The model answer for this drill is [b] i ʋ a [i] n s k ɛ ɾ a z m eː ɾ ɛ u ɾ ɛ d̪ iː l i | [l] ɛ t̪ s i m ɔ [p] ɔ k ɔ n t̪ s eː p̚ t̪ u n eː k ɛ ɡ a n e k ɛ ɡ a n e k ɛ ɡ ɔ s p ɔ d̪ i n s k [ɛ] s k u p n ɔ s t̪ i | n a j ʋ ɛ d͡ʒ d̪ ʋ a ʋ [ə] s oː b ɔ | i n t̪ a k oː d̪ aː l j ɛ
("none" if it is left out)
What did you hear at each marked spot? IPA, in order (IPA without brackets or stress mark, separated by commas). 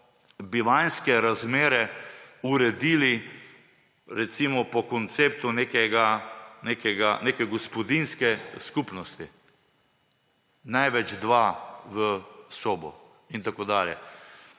b, j, ɾ, p, ɛ, ə